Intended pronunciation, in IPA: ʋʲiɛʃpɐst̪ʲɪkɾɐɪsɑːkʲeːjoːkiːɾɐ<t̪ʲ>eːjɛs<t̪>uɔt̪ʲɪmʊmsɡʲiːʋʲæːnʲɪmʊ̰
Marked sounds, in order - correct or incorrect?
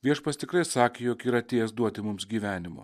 correct, incorrect: d̪

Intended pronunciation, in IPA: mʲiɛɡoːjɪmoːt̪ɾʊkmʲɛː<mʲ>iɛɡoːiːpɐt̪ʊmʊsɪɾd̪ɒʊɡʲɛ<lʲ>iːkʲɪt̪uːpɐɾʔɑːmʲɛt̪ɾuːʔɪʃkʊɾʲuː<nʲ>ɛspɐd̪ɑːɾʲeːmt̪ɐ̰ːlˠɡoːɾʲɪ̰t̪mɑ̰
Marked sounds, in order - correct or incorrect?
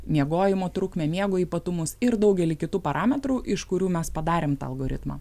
correct, correct, incorrect: mʲ

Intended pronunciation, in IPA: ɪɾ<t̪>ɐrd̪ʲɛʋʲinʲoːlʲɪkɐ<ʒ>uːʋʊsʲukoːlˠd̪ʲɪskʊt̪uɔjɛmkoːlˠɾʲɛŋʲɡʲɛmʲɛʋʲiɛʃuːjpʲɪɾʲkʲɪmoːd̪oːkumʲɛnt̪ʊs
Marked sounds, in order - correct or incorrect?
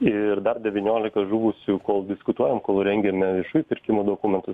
incorrect: d̪, correct

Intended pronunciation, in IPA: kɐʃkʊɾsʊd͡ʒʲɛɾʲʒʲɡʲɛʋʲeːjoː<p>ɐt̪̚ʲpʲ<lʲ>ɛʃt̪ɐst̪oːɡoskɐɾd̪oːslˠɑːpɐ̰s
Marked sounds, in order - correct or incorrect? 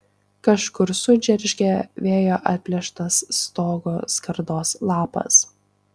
incorrect: ʔ, correct

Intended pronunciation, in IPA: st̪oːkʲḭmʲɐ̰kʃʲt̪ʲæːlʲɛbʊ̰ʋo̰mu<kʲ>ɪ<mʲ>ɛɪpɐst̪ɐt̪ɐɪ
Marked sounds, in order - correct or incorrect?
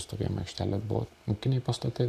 correct, incorrect: nʲ

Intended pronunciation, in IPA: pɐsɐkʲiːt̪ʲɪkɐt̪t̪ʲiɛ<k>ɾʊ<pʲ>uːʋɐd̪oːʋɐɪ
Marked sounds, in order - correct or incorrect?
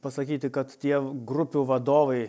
incorrect: ɡ, correct

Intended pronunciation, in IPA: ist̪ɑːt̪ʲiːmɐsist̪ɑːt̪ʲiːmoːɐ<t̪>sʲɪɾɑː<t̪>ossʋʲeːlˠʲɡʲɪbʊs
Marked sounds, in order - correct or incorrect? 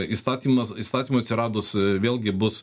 correct, incorrect: d̪

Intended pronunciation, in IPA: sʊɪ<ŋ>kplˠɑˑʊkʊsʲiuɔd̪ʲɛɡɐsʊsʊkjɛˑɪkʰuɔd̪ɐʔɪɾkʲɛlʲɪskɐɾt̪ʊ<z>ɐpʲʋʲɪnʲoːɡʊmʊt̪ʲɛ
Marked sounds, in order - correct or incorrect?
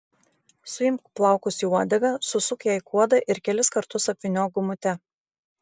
incorrect: m, incorrect: s

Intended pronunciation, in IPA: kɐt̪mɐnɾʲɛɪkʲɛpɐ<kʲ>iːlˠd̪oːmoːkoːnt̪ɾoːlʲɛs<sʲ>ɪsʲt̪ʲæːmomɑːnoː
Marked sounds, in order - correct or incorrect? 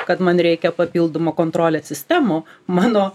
incorrect: pʲ, correct

